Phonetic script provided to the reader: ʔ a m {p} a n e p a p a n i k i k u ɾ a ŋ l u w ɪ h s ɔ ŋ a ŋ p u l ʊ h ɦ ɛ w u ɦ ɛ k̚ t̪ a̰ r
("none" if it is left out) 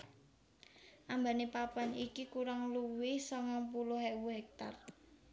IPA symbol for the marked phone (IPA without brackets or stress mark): b